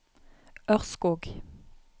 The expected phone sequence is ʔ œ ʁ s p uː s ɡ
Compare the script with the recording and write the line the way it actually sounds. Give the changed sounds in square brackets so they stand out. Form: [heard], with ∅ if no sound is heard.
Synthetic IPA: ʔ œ ʁ s [k] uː [∅] ɡ